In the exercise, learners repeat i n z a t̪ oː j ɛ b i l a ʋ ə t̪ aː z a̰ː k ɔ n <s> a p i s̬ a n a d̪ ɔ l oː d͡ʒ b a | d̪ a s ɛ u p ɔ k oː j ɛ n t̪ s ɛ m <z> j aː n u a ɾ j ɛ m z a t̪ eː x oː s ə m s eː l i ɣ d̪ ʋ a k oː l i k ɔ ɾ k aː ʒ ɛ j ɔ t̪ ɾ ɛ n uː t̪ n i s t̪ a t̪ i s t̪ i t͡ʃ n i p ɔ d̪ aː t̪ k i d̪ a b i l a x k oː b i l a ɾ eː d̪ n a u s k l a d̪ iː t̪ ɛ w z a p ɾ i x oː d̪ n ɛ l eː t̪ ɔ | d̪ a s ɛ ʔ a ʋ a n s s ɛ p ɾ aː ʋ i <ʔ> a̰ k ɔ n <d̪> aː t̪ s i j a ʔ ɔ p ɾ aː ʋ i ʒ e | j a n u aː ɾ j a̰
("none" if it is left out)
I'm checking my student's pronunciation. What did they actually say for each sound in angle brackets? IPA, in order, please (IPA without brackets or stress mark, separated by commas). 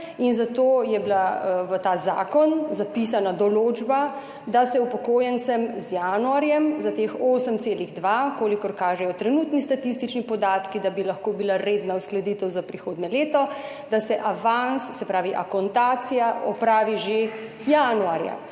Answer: z, z, ʔ, t̪